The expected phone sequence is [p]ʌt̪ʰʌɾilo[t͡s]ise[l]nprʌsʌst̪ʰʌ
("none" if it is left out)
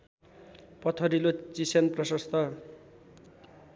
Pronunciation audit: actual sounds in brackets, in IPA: p, t͡s, none

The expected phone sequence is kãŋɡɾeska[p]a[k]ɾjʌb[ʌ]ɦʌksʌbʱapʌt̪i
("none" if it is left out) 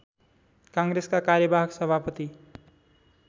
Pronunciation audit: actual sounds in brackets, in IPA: k, none, a

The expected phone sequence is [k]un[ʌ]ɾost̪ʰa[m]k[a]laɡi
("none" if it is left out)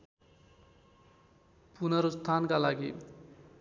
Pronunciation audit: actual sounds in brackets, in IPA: p, ʌ, n, a

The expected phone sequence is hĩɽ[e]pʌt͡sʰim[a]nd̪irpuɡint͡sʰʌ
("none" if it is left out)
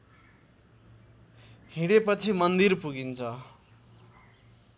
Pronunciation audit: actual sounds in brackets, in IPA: e, ʌ

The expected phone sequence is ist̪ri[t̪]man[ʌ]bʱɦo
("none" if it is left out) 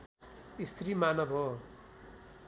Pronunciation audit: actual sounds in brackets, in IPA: none, ʌ

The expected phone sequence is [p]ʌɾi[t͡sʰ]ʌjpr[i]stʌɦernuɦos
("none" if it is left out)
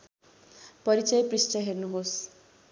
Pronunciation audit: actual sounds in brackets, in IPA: p, t͡s, i

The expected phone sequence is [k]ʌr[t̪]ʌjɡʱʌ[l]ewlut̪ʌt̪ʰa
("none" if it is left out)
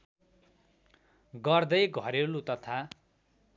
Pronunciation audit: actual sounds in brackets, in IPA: ɡ, d̪, ɾ

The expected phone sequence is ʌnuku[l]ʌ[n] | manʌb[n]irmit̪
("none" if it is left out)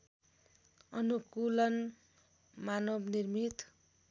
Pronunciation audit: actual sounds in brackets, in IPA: l, n, n

